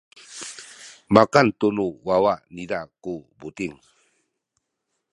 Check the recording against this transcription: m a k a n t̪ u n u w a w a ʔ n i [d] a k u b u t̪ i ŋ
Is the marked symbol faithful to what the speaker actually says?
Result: yes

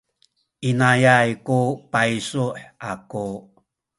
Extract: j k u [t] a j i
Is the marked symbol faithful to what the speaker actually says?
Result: no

